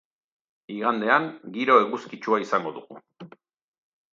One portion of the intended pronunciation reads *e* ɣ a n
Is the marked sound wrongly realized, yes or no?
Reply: yes